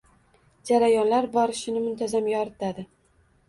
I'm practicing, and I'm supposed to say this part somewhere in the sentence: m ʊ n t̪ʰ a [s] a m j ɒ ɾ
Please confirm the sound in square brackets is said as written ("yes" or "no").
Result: no